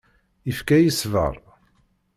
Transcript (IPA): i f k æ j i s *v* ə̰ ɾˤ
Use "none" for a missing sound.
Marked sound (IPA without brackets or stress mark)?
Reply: v